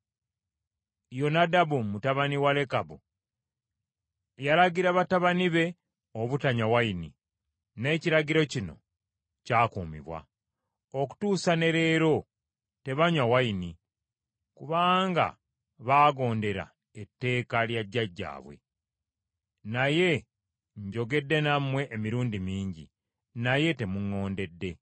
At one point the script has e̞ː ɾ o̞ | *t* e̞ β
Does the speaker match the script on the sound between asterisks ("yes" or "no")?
yes